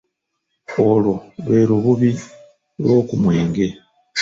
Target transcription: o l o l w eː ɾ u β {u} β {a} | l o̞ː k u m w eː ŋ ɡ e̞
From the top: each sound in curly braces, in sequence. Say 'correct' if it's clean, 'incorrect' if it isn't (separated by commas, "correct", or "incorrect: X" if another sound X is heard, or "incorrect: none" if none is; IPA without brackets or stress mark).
correct, incorrect: i